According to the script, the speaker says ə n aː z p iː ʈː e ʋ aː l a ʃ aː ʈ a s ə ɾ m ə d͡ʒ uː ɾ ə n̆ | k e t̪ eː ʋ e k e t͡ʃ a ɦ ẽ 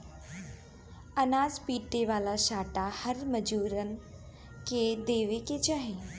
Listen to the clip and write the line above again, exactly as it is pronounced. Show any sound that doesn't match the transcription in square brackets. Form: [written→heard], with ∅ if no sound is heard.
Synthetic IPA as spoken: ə n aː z p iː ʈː e ʋ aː l a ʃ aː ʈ a [s→h] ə ɾ m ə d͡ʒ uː ɾ ə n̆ | k e [t̪→d̪] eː ʋ e k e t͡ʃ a ɦ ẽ